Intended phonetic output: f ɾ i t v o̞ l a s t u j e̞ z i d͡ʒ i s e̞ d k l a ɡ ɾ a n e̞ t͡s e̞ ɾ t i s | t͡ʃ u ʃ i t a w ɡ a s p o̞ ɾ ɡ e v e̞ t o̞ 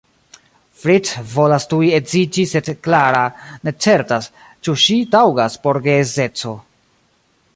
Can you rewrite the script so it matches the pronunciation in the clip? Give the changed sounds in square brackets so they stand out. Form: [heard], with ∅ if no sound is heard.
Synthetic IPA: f ɾ i t v o̞ l a s t u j e̞ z i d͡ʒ i s e̞ d k l a [∅] ɾ a n e̞ t͡s e̞ ɾ t [a] s | t͡ʃ u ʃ i t a w ɡ a s p o̞ ɾ ɡ e [z] e̞ [t͡s] o̞